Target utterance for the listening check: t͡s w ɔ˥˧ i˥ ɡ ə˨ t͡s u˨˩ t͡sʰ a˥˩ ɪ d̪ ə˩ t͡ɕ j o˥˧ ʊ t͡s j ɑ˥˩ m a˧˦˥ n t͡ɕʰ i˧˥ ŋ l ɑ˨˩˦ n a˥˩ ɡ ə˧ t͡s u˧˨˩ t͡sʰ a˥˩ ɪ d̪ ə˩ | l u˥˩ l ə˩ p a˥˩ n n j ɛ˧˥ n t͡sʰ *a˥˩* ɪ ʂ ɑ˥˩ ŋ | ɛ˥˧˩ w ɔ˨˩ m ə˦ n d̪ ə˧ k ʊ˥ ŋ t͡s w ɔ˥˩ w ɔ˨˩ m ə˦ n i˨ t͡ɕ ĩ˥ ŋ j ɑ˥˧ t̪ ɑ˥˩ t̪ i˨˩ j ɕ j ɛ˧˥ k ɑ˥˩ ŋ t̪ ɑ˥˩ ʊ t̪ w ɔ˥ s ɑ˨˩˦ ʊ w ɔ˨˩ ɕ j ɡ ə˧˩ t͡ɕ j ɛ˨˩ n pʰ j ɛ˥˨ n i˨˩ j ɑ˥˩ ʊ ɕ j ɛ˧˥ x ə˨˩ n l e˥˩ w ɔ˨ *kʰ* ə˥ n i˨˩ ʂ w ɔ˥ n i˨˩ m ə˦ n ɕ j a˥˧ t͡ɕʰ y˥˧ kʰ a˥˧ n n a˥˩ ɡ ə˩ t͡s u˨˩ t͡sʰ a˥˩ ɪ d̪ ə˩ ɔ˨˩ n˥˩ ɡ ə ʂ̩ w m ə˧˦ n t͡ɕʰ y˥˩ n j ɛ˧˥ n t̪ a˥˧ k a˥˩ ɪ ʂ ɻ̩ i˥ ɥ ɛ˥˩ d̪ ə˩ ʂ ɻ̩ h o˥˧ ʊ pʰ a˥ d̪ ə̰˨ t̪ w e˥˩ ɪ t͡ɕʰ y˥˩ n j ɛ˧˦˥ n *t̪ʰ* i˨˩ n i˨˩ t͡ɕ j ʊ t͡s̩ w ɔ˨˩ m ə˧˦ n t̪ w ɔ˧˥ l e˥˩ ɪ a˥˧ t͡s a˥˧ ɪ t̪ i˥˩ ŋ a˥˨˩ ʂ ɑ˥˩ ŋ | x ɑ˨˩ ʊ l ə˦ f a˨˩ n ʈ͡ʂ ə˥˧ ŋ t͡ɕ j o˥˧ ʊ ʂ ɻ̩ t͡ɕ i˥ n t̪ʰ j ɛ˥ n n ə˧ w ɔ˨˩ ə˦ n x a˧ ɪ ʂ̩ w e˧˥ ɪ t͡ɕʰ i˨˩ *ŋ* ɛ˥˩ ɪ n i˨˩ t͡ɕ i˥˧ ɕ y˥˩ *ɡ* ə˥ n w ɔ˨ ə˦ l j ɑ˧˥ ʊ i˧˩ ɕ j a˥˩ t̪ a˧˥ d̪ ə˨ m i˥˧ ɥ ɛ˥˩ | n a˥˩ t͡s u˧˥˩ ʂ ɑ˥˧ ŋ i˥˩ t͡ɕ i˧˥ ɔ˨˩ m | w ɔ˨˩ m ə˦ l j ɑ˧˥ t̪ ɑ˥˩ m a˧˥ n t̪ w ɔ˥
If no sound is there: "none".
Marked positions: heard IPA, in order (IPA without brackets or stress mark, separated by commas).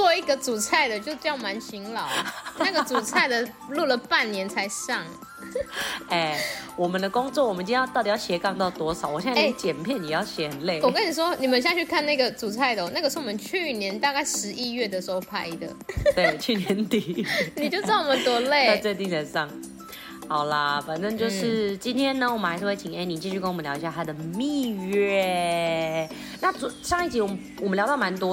a˧˥, k, t̪, ŋ, k